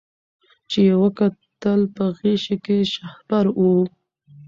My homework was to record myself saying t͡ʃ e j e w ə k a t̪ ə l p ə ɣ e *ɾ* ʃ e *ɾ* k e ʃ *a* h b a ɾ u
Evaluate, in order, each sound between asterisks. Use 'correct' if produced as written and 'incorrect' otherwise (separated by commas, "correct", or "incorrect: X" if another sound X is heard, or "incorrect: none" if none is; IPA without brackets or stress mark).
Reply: incorrect: none, incorrect: none, correct